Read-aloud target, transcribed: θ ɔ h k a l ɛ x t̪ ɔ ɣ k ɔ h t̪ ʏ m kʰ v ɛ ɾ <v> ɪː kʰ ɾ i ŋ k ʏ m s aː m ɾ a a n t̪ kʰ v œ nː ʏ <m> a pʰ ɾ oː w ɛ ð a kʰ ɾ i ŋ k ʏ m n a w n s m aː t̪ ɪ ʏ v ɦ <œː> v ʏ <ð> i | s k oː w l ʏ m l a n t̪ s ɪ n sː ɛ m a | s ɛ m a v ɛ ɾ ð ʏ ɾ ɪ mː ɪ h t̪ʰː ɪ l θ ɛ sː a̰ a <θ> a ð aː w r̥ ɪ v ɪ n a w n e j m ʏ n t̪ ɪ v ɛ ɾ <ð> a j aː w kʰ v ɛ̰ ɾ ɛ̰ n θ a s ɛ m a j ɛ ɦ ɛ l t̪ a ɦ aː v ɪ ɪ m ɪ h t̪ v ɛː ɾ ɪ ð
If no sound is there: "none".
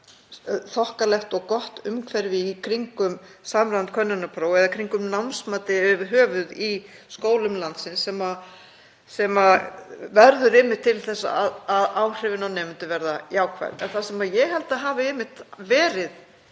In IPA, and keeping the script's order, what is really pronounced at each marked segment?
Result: v, n, œː, ð, ð, ð

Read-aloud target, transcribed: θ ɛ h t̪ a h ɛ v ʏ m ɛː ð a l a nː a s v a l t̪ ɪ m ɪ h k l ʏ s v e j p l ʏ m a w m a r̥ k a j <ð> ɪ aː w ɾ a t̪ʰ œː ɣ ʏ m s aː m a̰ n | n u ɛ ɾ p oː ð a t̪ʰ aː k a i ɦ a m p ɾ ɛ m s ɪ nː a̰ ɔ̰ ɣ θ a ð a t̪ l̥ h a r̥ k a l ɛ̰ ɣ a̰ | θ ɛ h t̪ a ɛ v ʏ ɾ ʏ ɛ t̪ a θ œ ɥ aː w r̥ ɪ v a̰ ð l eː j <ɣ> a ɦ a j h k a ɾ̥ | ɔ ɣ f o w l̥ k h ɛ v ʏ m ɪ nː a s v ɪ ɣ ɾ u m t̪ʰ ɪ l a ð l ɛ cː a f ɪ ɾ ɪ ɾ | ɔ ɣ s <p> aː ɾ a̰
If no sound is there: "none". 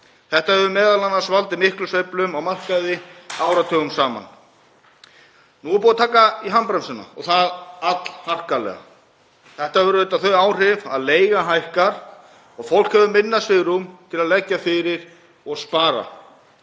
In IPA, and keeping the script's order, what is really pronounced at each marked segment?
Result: ð, ɣ, p

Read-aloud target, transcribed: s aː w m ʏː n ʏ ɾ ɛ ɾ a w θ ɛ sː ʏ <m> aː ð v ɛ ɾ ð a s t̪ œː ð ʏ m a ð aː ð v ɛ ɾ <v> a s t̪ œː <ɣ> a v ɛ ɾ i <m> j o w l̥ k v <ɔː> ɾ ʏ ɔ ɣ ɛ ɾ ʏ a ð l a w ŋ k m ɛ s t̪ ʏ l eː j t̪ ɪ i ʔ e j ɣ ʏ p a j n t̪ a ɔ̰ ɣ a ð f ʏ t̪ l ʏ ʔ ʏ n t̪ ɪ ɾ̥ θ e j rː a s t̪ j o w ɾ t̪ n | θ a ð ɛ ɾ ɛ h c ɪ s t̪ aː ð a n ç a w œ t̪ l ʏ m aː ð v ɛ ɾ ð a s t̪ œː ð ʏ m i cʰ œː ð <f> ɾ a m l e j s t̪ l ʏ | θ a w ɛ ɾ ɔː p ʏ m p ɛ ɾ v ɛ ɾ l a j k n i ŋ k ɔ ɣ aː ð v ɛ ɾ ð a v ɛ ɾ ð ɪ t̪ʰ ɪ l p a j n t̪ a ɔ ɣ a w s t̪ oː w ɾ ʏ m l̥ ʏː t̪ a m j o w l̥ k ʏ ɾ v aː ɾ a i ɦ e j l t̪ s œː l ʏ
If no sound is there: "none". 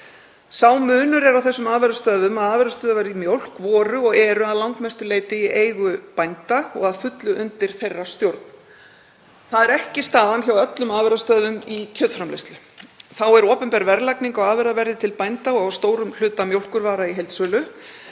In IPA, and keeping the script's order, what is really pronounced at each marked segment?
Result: m, ð, ð, m, ɔː, f

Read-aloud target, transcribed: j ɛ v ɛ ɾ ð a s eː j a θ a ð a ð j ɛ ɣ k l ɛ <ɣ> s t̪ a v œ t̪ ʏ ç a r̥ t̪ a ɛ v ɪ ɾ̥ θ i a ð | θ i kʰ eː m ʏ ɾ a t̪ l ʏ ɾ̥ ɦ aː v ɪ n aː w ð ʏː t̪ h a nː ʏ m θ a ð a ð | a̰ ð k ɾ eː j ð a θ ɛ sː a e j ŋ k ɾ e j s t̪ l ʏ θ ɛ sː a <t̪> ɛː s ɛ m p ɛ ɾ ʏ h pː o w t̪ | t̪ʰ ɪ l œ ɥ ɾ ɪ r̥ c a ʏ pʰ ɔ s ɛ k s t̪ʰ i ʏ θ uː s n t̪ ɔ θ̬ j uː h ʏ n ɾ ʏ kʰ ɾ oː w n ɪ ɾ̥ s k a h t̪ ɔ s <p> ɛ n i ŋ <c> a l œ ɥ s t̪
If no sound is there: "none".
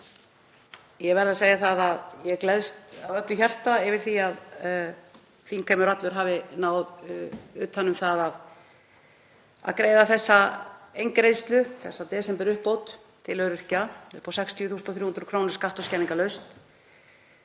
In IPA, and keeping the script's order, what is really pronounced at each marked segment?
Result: ð, t̪, c, k

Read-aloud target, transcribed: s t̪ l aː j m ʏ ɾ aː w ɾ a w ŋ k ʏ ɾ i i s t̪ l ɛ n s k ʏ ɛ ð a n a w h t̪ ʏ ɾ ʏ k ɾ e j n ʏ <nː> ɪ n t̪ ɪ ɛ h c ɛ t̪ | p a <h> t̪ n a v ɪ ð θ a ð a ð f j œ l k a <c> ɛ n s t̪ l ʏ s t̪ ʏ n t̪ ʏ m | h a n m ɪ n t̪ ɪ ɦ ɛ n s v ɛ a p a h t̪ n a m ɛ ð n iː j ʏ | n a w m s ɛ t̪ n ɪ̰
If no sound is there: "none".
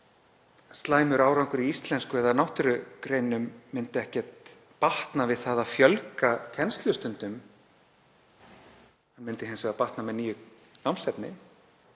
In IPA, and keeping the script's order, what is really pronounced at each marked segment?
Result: mː, h, cʰ

